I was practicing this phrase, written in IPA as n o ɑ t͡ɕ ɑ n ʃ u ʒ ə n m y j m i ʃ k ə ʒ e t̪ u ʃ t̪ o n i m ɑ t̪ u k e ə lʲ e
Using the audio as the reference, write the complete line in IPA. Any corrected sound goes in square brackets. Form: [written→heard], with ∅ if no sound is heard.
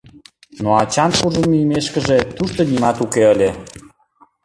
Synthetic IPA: n o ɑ t͡ɕ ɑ n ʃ u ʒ ə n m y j m [i→e] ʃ k ə ʒ e t̪ u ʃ t̪ o n i m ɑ t̪ u k e ə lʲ e